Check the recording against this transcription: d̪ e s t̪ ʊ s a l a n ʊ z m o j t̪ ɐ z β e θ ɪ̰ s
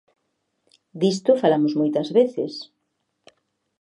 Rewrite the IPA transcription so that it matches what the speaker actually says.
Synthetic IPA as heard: d̪ i s t̪ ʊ f a l a m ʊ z m o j t̪ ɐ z β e θ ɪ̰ s